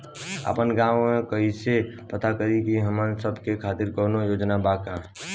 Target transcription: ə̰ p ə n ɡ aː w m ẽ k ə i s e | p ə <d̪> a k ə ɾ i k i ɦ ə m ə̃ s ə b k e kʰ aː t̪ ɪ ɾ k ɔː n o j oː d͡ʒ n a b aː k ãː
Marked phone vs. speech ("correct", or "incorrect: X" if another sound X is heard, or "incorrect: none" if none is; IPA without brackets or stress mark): incorrect: t̪